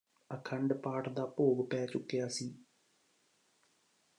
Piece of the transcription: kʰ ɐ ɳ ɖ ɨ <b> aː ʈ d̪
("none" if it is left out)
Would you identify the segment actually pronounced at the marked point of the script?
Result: p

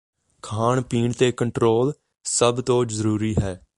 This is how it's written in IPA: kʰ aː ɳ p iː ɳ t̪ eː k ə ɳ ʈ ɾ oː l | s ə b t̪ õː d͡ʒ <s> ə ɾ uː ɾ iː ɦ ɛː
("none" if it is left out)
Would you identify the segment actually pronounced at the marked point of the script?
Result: z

